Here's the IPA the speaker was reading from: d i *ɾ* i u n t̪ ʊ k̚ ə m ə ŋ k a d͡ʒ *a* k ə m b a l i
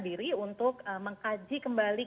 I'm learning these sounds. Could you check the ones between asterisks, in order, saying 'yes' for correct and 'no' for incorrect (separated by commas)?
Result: yes, no